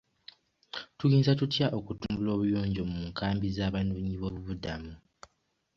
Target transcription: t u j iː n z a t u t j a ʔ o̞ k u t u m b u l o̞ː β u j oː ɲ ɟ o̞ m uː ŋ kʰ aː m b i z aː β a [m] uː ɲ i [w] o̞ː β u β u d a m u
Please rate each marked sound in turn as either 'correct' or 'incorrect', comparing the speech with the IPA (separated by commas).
incorrect, incorrect